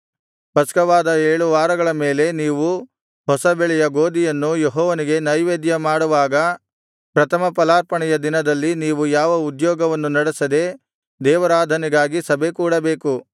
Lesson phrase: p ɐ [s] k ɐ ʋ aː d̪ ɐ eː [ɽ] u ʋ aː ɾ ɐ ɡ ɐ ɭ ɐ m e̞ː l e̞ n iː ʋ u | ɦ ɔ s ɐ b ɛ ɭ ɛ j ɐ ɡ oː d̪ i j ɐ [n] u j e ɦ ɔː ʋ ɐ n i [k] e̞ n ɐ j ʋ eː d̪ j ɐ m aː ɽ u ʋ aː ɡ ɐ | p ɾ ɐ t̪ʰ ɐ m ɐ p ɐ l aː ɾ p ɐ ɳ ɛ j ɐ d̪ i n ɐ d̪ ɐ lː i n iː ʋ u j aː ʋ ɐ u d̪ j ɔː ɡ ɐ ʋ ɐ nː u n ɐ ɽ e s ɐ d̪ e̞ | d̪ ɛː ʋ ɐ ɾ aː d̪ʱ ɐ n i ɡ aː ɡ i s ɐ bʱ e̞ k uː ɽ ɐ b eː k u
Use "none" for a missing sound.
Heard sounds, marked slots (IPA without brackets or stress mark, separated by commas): s, ɭ, nː, ɡ